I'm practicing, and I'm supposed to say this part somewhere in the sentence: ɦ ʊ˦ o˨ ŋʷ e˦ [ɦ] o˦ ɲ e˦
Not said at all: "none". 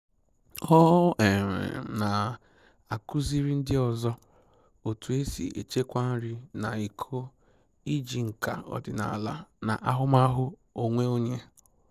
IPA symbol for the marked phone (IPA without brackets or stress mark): none